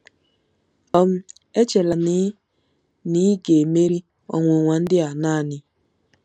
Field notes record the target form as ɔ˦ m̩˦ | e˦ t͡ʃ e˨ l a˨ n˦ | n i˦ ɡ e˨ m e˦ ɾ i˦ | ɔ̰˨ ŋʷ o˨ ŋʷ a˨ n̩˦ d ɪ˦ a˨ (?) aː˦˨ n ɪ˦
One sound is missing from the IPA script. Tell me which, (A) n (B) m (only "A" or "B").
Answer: A